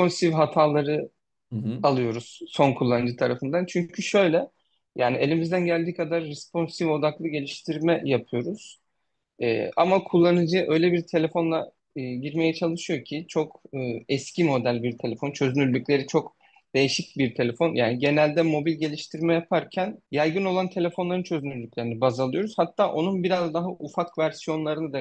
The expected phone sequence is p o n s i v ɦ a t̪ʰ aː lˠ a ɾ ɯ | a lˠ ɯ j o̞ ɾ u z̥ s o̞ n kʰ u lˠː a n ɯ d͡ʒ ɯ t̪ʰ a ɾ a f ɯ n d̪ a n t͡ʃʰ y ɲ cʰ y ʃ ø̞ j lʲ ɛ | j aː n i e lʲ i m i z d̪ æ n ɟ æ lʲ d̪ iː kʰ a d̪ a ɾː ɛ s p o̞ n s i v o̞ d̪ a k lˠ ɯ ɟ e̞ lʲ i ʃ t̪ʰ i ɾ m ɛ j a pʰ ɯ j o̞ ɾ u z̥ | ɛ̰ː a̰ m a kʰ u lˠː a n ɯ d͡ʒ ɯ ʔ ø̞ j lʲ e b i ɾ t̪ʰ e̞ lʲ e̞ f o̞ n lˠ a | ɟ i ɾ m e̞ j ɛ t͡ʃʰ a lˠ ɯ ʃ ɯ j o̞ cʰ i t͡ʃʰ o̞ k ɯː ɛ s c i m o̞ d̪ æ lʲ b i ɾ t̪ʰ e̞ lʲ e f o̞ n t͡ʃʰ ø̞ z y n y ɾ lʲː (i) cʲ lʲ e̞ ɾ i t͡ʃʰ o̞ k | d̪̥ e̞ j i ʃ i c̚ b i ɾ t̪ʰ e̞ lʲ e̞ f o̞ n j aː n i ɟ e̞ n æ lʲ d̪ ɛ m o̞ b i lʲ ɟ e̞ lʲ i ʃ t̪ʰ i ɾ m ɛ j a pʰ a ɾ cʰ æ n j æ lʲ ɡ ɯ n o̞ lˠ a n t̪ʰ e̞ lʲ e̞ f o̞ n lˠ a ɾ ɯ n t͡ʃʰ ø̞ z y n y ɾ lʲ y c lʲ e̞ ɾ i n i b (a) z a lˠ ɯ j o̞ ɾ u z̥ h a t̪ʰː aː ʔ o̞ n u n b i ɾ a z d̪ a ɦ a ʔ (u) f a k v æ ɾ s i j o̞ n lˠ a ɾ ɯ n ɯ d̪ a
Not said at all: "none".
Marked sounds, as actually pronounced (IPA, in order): y, a, u

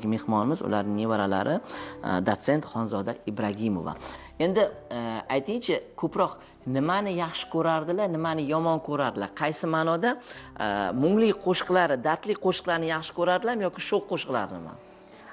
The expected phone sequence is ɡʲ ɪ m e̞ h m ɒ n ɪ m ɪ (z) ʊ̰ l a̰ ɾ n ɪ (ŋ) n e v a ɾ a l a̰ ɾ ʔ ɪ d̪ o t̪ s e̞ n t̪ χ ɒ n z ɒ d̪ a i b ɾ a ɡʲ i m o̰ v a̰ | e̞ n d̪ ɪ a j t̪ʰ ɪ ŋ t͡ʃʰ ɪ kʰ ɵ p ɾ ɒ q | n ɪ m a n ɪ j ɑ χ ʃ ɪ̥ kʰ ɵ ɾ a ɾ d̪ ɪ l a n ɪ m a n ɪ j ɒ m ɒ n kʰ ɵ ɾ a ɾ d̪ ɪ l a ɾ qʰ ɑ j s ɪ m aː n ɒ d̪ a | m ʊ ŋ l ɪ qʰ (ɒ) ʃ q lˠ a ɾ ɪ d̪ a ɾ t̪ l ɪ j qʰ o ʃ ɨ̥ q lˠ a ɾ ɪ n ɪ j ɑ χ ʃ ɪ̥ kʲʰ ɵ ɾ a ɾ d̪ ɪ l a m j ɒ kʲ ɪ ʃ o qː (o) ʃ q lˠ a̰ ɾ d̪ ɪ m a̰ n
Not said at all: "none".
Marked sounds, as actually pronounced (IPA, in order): z, ŋ, o, o

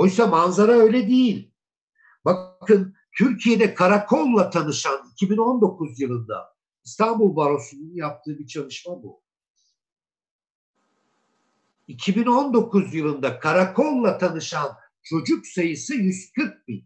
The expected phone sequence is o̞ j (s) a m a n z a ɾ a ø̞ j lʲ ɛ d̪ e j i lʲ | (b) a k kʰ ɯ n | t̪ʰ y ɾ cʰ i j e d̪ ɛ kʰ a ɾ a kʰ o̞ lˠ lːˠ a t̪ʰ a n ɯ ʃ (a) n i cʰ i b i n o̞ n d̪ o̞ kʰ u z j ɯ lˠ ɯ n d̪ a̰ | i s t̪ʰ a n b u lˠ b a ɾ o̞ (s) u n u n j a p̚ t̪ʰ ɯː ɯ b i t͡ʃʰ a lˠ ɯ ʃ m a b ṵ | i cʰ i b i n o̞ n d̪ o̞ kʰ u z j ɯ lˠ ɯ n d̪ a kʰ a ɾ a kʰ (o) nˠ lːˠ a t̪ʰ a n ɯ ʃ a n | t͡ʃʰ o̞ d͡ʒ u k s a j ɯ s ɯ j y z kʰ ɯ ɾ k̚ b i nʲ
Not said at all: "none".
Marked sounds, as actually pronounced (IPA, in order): s, b, a, s, o

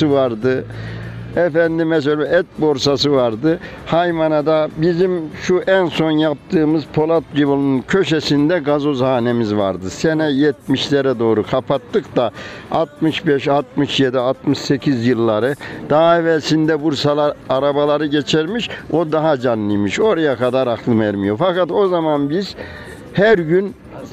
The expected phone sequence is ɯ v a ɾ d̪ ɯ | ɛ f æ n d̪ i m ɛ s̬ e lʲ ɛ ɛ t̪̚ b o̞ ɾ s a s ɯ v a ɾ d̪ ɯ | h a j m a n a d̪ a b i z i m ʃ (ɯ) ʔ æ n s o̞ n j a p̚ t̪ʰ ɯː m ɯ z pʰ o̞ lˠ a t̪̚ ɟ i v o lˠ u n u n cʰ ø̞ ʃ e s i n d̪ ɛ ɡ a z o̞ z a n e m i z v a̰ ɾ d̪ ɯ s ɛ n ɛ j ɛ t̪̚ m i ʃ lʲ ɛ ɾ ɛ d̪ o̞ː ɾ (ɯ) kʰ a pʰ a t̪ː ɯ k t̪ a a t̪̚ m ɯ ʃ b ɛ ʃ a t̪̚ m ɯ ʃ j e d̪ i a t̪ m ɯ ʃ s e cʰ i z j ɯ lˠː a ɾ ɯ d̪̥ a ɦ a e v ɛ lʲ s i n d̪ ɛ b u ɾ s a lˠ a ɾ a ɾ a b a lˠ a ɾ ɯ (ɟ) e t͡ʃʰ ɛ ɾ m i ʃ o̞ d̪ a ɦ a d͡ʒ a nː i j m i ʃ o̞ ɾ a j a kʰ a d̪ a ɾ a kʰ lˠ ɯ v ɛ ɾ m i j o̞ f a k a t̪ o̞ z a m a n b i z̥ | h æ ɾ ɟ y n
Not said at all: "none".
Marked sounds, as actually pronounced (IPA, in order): u, u, ɟ

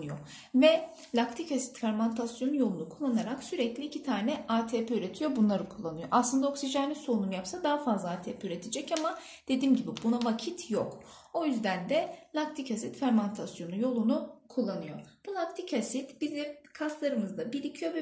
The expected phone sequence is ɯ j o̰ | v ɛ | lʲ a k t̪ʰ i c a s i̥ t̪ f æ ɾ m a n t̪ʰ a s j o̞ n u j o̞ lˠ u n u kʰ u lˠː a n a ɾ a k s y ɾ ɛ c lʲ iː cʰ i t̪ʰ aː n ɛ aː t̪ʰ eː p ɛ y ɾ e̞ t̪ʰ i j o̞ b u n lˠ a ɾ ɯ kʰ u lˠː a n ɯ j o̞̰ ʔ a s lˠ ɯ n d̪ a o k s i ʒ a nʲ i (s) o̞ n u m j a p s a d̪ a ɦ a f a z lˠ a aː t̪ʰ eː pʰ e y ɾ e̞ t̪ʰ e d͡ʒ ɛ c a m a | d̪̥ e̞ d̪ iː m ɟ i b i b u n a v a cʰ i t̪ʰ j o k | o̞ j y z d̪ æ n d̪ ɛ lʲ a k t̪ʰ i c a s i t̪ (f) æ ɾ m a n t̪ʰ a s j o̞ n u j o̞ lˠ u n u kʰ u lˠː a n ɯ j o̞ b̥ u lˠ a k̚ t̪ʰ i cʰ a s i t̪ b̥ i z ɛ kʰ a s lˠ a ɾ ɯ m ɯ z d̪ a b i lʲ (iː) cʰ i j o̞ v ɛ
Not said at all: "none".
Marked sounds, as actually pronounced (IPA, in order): s, f, i

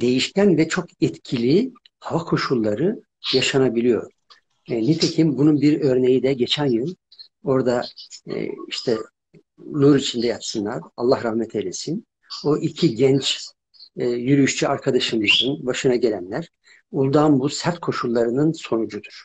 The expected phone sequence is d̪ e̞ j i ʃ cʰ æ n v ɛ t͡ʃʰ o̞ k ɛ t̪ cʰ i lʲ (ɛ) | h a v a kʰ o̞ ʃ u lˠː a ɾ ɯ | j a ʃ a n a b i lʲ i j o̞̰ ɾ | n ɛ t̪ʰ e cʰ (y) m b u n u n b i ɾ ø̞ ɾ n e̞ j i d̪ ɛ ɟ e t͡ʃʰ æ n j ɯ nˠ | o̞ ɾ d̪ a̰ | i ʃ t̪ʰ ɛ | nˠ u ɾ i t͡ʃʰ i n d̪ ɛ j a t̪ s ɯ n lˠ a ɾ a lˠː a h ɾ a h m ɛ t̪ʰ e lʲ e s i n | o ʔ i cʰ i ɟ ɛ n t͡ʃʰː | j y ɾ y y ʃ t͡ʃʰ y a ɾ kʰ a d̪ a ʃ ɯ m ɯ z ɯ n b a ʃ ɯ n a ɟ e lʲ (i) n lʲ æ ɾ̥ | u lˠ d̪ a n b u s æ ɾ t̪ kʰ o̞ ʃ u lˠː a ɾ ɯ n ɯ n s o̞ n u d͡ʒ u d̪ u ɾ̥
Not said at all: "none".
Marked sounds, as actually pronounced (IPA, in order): i, i, æ

